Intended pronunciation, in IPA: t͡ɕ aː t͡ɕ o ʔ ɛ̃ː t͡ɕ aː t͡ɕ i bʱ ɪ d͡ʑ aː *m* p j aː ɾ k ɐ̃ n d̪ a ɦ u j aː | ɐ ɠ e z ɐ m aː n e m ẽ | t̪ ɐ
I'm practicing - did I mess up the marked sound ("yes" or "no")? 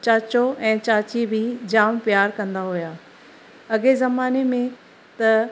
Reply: no